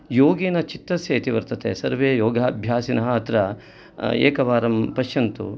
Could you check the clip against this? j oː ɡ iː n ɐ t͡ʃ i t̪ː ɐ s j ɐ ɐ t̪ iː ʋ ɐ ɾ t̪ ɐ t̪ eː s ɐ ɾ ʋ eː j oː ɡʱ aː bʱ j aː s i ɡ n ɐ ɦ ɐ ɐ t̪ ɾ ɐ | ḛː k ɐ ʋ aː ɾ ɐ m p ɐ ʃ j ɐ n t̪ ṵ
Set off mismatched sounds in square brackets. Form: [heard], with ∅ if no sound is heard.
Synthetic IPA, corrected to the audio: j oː ɡ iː n ɐ t͡ʃ i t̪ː ɐ s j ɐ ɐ t̪ [i] ʋ ɐ ɾ t̪ ɐ t̪ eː s ɐ ɾ ʋ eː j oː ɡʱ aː bʱ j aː s i [∅] n ɐ ɦ ɐ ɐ t̪ ɾ ɐ | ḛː k ɐ ʋ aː ɾ ɐ m p ɐ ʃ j ɐ n t̪ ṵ